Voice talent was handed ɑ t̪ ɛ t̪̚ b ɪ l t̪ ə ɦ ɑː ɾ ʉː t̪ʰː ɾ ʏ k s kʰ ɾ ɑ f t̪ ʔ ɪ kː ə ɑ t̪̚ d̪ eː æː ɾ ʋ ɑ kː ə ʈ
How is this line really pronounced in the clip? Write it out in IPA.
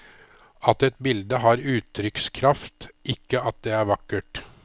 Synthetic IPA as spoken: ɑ t̪ ɛ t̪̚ b ɪ l d̪ ə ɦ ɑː ɾ ʉː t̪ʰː ɾ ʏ k s kʰ ɾ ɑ f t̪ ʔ ɪ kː ə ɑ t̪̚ d̪ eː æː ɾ ʋ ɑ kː ə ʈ